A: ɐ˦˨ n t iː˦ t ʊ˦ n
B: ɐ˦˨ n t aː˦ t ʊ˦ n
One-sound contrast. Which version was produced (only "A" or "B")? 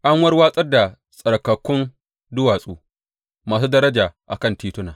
A